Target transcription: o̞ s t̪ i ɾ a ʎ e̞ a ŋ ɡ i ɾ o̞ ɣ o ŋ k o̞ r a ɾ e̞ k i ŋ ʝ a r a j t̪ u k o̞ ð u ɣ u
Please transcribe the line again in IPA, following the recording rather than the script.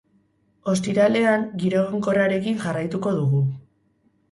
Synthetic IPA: o̞ s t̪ i ɾ a l e̞ a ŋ ɡ i ɾ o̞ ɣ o ŋ k o̞ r a ɾ e̞ k i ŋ ʝ a r a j t̪ u k o̞ ð u ɣ u